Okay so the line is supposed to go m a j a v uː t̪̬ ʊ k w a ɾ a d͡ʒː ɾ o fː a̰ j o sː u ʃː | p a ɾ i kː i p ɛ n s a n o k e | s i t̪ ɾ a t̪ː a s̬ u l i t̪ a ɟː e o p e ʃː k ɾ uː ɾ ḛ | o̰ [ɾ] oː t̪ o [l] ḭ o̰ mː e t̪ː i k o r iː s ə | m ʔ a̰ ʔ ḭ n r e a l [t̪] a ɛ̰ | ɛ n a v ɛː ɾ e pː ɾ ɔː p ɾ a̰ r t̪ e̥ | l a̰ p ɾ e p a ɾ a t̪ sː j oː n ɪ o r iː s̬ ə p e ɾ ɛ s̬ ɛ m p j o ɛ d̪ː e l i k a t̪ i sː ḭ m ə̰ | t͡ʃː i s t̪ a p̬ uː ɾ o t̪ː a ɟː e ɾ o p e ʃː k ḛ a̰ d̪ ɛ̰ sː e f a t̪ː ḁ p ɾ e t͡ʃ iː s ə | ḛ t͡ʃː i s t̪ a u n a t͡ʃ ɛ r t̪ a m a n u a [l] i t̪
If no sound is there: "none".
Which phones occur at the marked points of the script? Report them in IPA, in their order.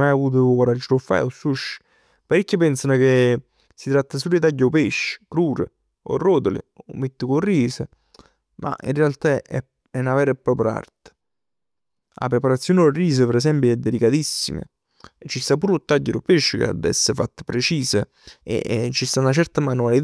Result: r, l, t̪, l

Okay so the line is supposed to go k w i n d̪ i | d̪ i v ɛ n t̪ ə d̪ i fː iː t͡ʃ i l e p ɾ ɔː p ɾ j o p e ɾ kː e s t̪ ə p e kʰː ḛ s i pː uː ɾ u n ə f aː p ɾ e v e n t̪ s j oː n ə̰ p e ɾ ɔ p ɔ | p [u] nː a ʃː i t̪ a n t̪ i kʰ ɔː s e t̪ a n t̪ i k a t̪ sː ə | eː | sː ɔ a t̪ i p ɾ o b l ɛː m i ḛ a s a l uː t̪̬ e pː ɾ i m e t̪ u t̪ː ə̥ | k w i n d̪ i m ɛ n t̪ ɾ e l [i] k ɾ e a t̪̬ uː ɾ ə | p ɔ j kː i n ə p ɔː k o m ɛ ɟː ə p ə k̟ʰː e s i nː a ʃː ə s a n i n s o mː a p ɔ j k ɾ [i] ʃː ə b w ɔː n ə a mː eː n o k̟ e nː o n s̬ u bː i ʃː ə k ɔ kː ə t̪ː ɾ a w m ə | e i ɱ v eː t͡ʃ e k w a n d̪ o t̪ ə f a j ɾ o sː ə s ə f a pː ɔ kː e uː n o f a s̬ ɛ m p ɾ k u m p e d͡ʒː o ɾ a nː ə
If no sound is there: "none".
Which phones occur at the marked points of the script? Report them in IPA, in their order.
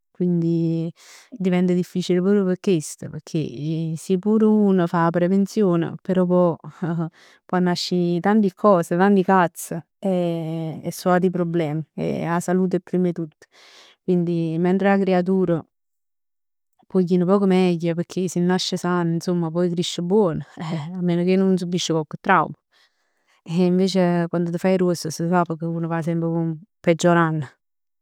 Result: ɔ, a, i

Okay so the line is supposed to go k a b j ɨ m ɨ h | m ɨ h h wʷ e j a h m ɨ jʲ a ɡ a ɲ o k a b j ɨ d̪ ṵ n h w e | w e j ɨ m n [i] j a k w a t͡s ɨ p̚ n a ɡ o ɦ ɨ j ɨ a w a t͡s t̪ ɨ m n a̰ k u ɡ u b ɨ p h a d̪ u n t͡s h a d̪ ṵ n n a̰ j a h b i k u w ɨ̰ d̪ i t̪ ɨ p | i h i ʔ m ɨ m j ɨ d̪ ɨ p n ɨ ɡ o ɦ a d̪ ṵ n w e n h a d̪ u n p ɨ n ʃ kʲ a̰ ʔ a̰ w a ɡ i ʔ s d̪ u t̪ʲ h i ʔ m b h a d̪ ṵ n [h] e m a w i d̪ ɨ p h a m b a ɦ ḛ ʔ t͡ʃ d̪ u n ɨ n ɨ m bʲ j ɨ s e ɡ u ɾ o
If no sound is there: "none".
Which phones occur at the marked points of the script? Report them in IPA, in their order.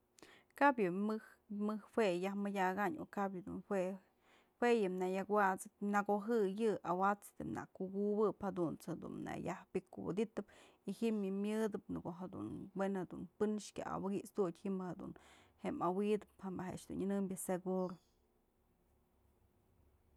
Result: a, h

